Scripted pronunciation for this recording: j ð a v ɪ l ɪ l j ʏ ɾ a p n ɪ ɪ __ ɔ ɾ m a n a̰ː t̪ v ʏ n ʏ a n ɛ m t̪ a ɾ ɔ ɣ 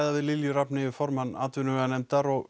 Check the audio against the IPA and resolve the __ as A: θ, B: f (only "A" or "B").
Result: B